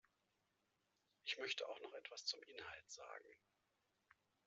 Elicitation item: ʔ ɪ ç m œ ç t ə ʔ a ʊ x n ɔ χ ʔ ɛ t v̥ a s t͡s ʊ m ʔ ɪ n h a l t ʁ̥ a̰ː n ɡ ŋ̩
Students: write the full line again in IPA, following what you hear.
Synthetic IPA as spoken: ʔ ɪ ç m œ ç t ə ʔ a ʊ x n ɔ χ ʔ ɛ t v̥ a s t͡s ʊ m ʔ ɪ n h a l t z̥ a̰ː ɡ ŋ̩